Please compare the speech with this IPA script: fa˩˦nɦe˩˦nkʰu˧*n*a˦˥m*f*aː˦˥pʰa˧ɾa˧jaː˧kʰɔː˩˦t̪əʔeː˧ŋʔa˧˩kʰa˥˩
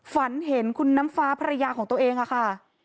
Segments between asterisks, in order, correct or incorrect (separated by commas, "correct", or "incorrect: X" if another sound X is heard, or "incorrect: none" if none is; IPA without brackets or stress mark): incorrect: nː, correct